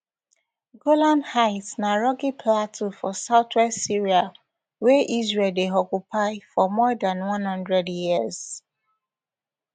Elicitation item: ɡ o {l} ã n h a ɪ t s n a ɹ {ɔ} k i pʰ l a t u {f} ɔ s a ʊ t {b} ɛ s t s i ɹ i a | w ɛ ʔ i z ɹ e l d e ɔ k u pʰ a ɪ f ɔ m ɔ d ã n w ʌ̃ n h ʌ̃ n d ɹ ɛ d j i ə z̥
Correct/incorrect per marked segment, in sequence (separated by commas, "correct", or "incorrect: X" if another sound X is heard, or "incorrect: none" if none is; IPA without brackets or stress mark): correct, correct, correct, incorrect: w